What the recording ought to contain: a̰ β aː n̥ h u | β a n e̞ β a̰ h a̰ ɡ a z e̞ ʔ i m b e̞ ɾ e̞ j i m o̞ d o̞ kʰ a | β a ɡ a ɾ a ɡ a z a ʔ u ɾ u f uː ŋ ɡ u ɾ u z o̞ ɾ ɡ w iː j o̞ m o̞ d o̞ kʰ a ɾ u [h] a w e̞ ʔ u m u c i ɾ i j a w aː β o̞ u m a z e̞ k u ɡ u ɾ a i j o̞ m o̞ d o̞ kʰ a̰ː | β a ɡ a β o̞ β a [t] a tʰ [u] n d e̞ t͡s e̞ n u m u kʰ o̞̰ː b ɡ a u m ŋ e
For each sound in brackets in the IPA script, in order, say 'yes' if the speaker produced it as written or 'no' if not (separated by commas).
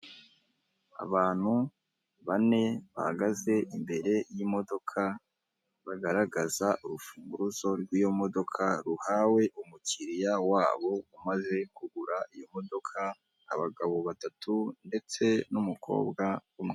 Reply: yes, yes, yes